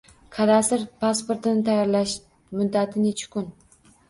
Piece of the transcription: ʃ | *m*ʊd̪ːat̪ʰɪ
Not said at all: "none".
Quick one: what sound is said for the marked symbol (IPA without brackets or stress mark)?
m